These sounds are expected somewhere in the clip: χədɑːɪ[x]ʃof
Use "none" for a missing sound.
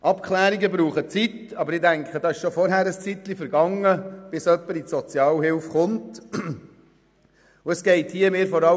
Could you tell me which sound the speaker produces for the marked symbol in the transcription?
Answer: ʃ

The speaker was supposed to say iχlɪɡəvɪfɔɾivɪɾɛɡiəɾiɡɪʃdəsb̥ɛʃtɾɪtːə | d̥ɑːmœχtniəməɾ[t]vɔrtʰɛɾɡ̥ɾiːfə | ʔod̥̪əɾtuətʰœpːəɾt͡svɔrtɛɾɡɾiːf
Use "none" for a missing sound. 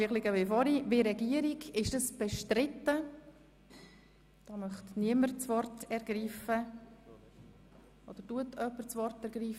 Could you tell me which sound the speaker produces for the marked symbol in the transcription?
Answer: t͡s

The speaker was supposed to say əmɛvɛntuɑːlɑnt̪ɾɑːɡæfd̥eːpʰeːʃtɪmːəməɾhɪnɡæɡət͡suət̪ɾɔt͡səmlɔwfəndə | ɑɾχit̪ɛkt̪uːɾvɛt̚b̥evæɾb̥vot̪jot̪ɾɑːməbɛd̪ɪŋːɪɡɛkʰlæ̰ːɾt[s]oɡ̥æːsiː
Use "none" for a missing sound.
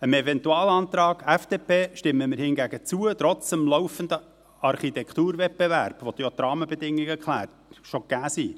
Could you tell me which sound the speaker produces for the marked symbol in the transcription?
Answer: ʃ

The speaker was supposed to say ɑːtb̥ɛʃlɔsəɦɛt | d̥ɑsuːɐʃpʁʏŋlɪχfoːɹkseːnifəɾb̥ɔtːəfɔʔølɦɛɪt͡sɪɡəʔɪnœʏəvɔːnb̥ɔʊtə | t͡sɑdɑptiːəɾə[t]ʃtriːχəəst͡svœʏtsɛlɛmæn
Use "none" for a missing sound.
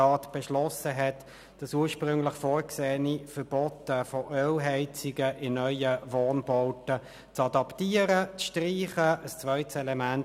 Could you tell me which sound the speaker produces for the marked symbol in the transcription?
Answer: t͡s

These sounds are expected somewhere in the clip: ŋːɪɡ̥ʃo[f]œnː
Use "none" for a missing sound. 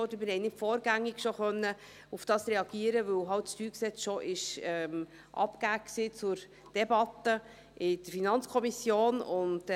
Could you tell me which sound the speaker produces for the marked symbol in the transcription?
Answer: χ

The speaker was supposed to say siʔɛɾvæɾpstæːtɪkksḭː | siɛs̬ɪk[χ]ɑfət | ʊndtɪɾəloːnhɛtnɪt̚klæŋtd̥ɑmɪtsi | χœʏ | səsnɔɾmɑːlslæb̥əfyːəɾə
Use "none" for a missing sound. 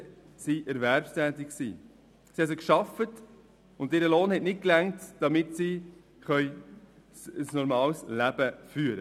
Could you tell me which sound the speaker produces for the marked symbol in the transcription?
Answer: ʃ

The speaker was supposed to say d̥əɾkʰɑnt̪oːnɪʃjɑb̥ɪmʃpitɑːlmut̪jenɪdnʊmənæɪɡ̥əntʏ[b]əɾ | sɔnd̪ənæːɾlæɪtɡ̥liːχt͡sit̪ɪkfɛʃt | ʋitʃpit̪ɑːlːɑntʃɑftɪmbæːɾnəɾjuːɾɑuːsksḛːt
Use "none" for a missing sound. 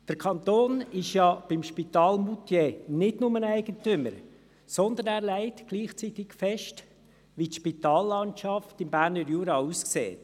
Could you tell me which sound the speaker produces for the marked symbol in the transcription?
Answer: m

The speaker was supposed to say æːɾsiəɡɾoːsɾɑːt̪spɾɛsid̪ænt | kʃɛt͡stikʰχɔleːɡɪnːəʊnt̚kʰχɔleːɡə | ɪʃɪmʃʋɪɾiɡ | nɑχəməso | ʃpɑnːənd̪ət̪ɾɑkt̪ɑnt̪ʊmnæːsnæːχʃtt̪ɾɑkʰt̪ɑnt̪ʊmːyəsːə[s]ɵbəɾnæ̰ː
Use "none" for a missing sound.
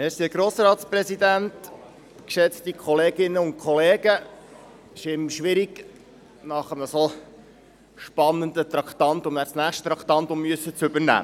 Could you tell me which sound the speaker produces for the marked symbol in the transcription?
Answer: t͡s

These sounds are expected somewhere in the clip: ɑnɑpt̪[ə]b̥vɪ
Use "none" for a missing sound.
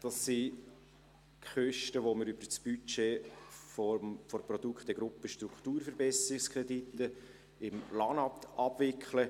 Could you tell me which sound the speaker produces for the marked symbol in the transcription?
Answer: ɑ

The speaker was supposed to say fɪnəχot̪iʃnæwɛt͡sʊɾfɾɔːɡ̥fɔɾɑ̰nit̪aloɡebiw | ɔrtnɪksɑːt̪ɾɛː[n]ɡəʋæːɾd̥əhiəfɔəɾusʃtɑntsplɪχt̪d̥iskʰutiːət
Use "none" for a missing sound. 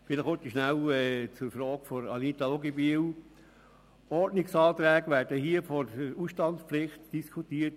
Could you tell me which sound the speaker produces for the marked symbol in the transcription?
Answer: none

